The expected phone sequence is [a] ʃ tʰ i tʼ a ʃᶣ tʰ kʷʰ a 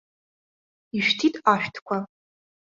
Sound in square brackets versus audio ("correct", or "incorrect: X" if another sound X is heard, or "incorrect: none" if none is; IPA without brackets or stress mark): incorrect: i